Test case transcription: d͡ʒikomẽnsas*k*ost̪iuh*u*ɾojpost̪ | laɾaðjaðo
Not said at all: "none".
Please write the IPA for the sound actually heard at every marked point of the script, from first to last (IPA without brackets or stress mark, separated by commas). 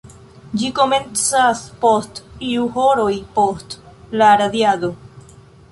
p, o